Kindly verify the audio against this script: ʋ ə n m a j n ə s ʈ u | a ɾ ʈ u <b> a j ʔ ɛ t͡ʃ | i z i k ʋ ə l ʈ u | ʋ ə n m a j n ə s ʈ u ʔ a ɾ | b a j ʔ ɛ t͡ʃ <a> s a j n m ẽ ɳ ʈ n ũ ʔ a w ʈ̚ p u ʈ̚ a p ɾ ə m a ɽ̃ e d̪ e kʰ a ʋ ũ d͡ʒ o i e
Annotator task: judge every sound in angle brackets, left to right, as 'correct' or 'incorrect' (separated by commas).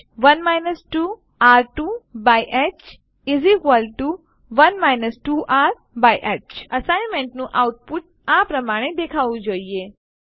correct, incorrect